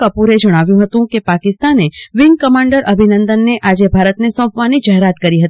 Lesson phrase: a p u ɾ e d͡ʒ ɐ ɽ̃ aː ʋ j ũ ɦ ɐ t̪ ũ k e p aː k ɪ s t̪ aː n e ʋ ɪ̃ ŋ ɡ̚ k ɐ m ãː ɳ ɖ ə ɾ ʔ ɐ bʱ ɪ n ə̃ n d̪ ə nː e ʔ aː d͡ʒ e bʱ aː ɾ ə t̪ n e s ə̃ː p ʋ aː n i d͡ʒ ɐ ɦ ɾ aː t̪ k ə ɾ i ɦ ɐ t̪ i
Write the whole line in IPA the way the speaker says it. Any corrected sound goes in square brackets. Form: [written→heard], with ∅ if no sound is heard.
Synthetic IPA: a p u ɾ e d͡ʒ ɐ ɽ̃ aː ʋ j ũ ɦ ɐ t̪ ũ k e p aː k ɪ s t̪ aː n e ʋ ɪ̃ ŋ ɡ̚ k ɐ m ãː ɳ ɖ ə ɾ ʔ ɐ bʱ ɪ n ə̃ n d̪ ə nː e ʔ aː d͡ʒ e bʱ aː ɾ ə t̪ n e s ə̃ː p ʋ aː n i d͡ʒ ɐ ɦ ɾ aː t̪ k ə ɾ i ɦ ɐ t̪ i